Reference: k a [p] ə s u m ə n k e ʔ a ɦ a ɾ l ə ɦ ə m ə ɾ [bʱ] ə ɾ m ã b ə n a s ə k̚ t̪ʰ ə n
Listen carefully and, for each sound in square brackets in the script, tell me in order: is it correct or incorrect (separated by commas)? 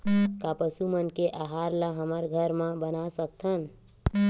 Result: correct, incorrect